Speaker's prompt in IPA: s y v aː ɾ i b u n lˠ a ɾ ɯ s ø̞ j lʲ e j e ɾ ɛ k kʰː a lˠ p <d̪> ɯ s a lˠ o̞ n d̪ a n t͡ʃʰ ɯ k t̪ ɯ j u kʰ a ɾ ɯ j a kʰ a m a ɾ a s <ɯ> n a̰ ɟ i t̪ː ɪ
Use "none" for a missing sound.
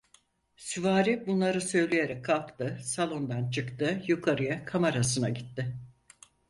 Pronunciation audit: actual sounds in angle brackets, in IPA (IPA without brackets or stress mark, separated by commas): t̪, ɯ